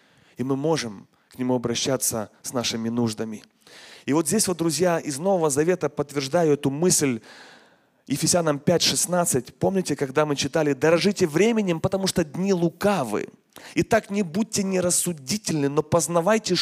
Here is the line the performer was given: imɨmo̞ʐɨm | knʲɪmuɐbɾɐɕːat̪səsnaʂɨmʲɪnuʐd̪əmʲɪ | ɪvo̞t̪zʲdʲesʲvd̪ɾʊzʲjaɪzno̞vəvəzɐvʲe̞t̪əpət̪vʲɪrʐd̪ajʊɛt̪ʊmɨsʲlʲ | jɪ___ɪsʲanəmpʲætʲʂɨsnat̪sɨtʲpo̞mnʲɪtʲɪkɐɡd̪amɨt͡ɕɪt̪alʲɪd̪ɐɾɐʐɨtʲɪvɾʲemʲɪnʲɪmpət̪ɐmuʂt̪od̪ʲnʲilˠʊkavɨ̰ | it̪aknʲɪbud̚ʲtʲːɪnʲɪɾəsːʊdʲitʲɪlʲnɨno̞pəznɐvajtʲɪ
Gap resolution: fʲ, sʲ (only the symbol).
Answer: fʲ